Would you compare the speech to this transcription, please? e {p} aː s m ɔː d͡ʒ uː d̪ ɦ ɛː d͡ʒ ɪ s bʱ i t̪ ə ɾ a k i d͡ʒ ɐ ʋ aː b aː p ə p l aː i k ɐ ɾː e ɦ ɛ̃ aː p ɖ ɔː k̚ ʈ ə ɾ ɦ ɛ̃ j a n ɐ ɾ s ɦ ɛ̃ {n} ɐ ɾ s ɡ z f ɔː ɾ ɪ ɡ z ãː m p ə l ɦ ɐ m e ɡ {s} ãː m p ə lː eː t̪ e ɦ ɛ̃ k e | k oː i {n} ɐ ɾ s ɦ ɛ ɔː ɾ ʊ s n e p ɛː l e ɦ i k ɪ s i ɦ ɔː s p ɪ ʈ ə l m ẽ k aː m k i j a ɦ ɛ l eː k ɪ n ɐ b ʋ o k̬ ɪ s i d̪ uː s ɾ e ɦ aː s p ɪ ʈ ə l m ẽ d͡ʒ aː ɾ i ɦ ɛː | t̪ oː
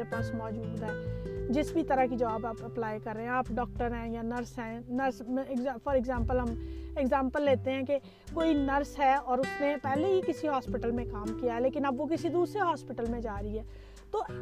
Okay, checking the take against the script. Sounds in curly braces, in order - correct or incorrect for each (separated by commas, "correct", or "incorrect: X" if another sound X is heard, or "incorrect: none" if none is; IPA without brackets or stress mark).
correct, correct, incorrect: z, correct